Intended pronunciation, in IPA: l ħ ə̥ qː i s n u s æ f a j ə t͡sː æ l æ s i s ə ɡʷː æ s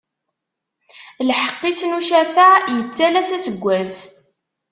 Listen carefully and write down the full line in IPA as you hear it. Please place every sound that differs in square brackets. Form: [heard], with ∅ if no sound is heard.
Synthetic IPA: l ħ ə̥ qː i s n u [ʃ] æ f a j ə t͡sː æ l æ s [æ] s ə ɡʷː æ s